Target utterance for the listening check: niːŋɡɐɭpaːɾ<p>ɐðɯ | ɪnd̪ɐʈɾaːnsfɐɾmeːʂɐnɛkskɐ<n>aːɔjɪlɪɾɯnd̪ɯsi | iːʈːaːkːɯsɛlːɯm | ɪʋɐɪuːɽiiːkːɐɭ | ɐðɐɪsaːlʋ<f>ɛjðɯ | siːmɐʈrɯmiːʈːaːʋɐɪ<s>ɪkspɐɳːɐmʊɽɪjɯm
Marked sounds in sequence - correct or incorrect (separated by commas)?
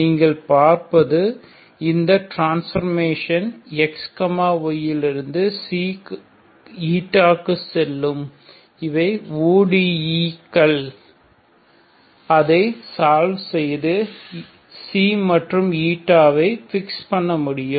correct, incorrect, incorrect, incorrect